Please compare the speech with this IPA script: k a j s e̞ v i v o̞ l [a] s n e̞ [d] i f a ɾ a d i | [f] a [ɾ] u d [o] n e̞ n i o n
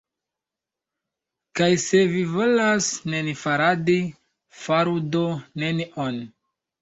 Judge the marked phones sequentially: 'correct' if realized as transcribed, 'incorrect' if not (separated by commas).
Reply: correct, incorrect, correct, correct, correct